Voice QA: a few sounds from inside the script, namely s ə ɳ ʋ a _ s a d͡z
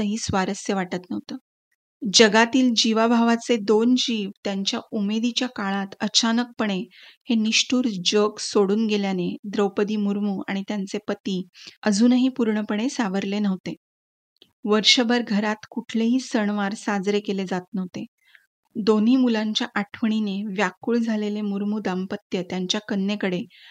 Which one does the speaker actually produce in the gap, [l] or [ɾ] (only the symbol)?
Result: ɾ